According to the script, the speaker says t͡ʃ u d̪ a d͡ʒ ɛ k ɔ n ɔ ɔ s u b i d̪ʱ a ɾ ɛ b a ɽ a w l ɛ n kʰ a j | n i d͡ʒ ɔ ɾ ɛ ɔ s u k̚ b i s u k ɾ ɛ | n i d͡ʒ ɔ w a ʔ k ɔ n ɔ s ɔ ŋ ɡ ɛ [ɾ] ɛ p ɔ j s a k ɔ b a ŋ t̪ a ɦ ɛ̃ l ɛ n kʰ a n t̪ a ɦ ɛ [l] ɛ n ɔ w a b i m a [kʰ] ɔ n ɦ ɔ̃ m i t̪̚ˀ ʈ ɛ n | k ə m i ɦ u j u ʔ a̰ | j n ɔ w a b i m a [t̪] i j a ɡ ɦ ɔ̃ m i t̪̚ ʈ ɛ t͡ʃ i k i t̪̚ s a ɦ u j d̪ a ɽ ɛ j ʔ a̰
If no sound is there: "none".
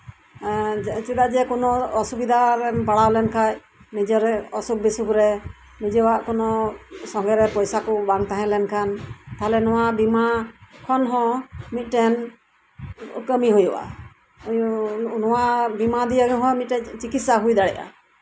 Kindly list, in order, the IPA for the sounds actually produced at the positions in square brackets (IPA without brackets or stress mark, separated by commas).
ɾ, l, kʰ, d̪